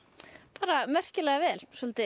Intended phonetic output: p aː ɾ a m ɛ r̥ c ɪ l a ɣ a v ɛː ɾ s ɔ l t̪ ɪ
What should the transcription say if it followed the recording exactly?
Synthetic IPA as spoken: p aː ɾ a m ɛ r̥ c ɪ l ɛ ɣ a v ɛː l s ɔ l t̪ ɪ